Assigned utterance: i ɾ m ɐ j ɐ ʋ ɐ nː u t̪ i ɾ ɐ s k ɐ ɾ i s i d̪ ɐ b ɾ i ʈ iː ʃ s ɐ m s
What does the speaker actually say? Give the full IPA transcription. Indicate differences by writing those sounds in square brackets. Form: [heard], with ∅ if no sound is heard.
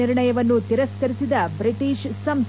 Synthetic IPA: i ɾ [ɳ] ɐ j ɐ ʋ ɐ nː u t̪ i ɾ ɐ s k ɐ ɾ i s i d̪ ɐ b ɾ i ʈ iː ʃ s ɐ m s